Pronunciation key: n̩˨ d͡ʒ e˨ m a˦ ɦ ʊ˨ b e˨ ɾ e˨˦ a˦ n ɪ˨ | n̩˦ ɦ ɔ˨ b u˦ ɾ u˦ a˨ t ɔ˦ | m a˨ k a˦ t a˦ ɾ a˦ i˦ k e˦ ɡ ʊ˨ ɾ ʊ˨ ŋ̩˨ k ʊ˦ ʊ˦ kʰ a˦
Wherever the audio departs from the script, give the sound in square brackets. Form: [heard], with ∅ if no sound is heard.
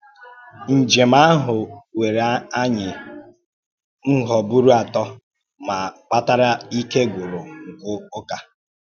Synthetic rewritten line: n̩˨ d͡ʒ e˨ m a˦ ɦ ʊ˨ [w] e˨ ɾ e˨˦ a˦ [ɲ] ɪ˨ | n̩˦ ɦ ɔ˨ b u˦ ɾ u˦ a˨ t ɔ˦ | m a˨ [k͡p] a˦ t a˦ ɾ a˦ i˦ k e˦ ɡ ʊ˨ ɾ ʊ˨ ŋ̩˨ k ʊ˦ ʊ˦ [k] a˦